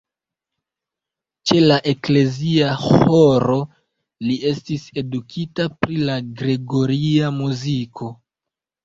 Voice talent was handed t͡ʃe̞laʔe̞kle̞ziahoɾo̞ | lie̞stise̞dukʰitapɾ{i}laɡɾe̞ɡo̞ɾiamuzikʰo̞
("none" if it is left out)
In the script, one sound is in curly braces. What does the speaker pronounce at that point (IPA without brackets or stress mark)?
i